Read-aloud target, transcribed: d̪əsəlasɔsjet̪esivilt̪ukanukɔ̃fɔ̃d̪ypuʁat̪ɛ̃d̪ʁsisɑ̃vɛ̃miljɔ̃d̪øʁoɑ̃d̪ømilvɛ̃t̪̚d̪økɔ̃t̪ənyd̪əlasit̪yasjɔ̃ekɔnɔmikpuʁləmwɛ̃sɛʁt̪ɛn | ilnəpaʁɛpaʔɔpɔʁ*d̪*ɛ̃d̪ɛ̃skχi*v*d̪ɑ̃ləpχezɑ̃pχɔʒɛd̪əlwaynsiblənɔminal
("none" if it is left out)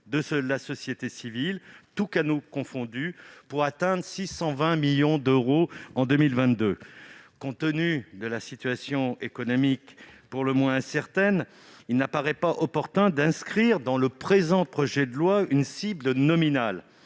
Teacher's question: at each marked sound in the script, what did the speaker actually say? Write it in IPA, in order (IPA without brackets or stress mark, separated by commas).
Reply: t̪, ʁ